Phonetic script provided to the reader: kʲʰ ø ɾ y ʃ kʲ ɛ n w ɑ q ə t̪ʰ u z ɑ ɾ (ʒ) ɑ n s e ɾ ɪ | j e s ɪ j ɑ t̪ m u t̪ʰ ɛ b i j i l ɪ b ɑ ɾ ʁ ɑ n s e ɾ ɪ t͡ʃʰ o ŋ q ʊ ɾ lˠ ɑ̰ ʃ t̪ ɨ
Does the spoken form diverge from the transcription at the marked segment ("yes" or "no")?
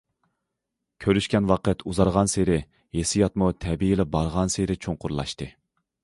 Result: yes